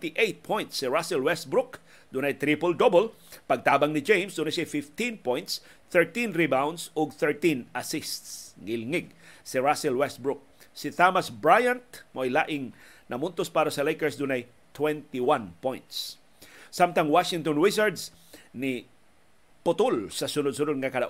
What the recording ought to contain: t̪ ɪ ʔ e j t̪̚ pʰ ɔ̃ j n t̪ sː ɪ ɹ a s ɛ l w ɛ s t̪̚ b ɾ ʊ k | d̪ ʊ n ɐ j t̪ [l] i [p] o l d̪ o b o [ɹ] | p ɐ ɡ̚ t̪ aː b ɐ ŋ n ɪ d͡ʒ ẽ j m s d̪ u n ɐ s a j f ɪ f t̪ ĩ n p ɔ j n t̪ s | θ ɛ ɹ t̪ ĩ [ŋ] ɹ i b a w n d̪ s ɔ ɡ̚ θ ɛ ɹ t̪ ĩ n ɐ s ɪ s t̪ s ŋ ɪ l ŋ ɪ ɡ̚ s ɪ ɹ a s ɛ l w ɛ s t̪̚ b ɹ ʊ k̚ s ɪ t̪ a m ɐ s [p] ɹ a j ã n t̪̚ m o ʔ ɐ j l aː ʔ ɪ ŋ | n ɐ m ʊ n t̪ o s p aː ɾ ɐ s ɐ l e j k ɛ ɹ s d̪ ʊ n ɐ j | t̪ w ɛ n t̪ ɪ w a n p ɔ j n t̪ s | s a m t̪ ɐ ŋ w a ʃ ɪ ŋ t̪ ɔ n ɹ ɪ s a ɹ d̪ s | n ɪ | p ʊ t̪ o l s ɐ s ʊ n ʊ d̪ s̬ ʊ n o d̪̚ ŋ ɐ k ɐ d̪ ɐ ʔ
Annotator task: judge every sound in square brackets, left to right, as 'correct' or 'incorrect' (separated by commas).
incorrect, correct, incorrect, incorrect, incorrect